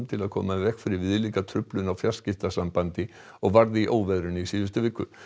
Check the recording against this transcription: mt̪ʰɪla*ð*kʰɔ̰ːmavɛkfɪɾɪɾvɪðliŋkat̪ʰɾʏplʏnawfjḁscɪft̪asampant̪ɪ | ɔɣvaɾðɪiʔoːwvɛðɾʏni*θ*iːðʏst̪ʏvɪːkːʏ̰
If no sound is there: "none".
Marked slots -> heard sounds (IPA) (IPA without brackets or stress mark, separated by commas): ð, s